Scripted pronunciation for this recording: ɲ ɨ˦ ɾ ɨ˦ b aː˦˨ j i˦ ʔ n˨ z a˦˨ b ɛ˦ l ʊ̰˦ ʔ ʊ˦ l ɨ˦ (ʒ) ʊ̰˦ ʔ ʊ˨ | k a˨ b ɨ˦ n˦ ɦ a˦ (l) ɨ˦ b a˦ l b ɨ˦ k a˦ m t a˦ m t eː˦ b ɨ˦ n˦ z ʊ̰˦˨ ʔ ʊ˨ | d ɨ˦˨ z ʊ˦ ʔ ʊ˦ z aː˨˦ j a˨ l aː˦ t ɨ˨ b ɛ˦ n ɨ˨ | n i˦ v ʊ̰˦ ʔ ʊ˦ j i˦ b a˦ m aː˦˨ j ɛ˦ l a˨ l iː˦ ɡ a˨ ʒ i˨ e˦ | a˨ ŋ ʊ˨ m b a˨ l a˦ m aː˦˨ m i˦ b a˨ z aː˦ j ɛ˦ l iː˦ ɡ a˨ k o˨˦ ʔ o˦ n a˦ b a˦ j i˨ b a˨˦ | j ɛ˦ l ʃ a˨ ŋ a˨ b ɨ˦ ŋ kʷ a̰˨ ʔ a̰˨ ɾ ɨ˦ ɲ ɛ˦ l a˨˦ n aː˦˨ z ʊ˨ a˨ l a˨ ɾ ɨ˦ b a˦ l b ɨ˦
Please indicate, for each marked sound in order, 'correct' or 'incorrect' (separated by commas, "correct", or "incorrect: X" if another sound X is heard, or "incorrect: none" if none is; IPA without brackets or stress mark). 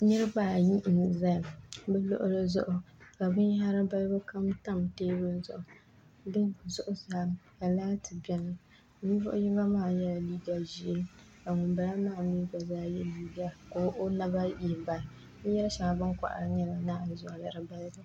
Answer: incorrect: z, incorrect: ɾ